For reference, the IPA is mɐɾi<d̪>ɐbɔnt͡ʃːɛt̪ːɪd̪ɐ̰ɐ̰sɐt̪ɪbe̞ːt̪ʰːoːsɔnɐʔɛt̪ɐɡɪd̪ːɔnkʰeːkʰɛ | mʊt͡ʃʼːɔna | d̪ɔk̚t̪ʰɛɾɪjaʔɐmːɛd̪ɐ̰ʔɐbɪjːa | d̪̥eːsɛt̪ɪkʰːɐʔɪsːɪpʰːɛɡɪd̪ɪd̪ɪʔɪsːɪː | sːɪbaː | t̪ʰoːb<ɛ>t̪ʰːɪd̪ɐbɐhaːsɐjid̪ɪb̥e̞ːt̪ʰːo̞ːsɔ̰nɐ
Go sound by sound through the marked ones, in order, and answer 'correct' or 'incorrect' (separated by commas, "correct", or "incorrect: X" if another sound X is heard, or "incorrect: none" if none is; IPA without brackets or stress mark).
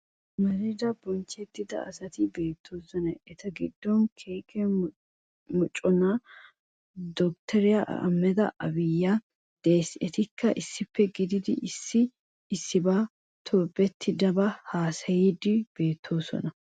correct, correct